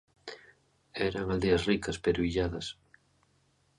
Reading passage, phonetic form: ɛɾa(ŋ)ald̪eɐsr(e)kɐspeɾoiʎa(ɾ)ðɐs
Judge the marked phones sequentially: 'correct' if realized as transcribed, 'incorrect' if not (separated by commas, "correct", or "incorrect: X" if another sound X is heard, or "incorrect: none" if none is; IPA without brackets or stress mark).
correct, incorrect: i, incorrect: none